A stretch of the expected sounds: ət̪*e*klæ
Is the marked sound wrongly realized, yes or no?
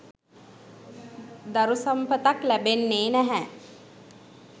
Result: yes